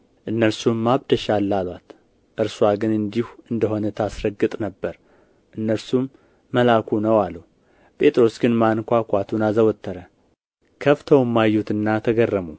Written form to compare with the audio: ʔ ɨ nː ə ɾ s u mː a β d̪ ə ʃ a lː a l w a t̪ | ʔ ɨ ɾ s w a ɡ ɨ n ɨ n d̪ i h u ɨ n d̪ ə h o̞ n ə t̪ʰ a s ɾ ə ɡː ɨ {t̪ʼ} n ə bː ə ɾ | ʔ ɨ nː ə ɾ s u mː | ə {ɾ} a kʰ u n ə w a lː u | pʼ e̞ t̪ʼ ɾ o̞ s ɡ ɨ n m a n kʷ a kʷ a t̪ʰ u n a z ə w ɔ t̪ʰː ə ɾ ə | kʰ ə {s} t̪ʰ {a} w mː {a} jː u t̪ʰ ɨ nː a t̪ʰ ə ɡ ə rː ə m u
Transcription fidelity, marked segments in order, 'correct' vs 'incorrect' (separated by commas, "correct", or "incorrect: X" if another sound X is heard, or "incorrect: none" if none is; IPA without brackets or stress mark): correct, incorrect: l, incorrect: f, incorrect: ə, correct